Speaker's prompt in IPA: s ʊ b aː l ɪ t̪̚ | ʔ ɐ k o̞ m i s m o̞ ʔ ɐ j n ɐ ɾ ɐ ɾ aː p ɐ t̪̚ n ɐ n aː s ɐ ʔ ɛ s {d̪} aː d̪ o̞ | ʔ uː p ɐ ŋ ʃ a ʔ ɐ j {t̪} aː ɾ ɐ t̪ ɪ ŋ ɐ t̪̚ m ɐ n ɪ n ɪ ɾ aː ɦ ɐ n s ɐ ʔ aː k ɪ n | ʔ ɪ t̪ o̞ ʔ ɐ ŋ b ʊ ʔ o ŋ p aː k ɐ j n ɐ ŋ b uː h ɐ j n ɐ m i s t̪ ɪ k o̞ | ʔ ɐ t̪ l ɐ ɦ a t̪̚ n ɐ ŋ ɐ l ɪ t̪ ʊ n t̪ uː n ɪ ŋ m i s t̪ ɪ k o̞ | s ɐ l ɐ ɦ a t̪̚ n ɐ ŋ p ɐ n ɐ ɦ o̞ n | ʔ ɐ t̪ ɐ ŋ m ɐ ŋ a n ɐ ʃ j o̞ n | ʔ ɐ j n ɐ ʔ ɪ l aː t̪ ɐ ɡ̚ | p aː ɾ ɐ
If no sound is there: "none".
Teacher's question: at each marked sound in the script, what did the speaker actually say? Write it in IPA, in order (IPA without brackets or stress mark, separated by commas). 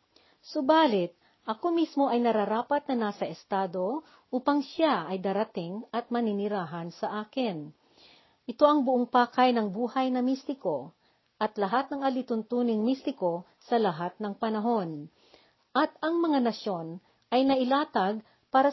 t̪, d̪